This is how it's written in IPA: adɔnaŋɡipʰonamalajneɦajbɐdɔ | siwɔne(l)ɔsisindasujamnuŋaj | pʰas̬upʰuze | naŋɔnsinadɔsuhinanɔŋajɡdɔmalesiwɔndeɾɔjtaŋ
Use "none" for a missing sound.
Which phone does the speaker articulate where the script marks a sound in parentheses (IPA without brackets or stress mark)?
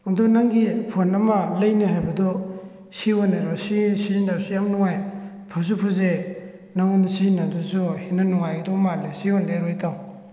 ɾ